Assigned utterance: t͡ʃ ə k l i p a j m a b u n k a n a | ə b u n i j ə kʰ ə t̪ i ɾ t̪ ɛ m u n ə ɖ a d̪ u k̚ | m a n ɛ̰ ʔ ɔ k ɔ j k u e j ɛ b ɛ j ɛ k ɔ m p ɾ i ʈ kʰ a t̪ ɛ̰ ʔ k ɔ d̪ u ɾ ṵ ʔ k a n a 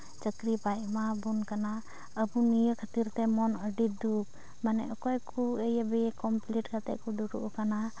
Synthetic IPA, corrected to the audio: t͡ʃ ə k ɾ i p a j m a b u n k a n a | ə b u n i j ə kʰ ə t̪ i ɾ t̪ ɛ m ɔ n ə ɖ i d̪ u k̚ | m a n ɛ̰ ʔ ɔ k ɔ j k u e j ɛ b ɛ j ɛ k ɔ m p l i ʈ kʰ a t̪ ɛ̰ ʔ k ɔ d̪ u ɾ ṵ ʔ k a n a